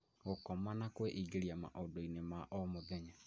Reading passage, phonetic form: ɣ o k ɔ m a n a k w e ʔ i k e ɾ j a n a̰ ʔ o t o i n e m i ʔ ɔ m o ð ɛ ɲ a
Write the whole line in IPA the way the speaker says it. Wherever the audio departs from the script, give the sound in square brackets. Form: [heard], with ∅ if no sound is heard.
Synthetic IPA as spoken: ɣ o k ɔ m a n a k w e ʔ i [ɡ] e ɾ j a [m] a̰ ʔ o [d] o i n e m [a] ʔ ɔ m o ð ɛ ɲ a